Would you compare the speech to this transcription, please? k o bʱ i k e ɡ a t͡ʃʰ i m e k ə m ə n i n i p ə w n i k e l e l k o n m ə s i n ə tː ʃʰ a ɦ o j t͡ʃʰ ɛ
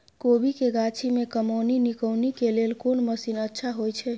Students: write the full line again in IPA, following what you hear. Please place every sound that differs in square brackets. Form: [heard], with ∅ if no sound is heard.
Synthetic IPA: k o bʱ i k e ɡ a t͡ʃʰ i m e k ə m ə n i n i [k] ə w n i k e l e l k o n m ə s i n ə tː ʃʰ a ɦ o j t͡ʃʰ ɛ

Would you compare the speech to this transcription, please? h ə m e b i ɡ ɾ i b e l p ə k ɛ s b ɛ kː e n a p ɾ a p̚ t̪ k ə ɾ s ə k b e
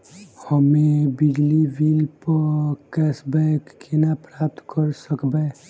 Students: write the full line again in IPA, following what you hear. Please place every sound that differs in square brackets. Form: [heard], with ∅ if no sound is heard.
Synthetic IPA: h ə m e b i ɡ [l] i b [i] l p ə k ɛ s b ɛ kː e n a p ɾ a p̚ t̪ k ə ɾ s ə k b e

